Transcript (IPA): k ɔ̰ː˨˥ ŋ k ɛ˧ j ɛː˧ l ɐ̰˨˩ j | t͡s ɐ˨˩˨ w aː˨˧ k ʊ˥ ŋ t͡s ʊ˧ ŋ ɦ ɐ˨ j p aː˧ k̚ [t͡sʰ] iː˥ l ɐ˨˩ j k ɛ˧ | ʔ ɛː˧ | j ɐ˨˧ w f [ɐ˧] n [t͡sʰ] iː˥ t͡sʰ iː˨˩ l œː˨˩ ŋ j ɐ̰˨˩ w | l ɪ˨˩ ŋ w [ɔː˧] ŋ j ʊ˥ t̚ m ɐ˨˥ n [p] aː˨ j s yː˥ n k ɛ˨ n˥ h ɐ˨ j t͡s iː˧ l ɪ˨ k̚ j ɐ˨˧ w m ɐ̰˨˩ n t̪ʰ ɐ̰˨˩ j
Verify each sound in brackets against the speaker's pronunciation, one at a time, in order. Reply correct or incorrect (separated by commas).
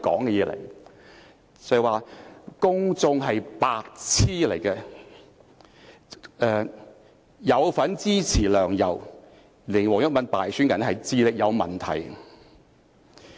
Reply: correct, incorrect, incorrect, incorrect, correct